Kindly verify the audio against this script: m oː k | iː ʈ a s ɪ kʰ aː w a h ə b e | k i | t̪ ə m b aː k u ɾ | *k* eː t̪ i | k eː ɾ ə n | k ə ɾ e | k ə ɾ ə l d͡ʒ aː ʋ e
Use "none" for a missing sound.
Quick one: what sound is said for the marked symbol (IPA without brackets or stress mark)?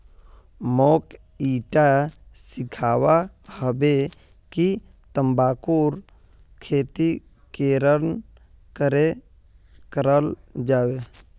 kʰ